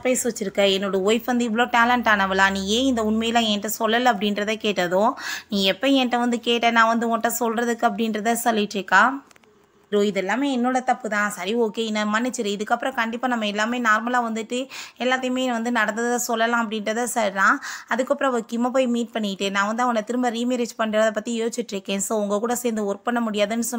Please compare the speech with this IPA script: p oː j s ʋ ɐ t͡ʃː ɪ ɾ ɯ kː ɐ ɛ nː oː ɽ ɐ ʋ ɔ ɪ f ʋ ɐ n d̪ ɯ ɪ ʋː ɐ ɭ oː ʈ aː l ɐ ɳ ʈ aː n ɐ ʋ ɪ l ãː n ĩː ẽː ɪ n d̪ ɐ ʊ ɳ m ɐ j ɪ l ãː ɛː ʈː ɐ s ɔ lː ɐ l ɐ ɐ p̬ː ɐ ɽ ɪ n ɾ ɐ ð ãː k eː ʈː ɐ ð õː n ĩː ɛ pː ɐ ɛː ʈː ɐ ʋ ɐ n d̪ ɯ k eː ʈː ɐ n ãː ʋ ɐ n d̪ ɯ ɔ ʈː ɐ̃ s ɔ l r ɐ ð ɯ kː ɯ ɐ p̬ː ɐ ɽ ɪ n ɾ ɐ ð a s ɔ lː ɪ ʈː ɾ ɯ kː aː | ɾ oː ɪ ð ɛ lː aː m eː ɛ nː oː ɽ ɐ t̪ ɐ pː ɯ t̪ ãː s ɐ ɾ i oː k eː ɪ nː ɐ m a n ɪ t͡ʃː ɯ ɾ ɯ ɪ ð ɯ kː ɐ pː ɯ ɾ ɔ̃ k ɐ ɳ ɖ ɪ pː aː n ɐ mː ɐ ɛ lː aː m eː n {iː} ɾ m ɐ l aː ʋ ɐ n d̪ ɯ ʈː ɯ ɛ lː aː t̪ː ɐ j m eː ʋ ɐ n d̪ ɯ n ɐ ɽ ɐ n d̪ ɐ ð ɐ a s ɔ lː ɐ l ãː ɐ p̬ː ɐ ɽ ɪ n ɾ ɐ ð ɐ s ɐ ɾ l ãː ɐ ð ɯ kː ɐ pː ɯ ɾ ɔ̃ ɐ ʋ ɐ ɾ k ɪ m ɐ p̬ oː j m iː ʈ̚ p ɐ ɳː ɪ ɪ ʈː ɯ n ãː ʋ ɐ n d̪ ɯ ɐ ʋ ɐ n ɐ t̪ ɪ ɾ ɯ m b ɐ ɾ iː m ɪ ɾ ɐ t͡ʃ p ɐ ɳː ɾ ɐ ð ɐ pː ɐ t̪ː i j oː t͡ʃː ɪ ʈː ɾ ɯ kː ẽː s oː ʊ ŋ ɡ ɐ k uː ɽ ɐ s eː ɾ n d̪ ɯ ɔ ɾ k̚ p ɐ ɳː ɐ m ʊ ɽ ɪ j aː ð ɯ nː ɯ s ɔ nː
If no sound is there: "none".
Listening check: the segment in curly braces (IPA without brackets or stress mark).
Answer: aː